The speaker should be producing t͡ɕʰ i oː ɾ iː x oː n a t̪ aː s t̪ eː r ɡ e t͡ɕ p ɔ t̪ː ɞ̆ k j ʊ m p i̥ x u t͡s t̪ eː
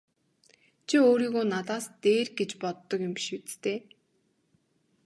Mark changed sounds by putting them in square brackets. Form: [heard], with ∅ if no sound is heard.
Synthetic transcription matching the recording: t͡ɕʰ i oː ɾ iː [ɣ] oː n a t̪ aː s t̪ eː r ɡ e t͡ɕ p ɔ t̪ː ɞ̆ k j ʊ m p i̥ [ʃ] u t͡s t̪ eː